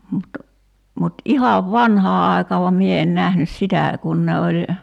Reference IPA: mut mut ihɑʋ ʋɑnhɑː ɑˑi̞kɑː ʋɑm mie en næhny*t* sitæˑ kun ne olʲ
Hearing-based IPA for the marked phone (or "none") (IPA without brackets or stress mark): s